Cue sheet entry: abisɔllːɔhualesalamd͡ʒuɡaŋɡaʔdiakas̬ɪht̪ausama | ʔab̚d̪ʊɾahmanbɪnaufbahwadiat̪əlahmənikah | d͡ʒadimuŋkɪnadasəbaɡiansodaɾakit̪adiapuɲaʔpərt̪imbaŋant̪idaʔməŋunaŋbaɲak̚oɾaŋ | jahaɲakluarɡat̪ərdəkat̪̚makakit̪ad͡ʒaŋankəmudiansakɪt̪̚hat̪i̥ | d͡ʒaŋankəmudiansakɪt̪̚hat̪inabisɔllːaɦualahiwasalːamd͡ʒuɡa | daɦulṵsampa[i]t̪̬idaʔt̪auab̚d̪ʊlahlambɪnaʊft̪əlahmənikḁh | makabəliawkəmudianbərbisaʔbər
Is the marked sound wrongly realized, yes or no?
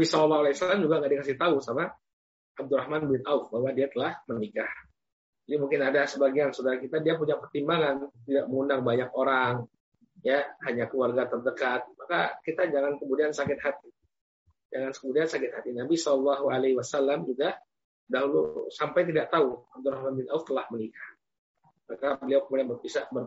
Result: yes